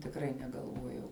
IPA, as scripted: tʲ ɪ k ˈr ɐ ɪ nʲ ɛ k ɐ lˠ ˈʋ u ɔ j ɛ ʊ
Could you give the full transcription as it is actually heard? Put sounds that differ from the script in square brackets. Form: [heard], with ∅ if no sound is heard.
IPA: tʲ ɪ k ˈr ɐ ɪ nʲ ɛ [ɡ] ɐ lˠ ˈʋ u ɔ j ɛ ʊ